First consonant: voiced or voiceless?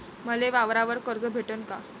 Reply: voiced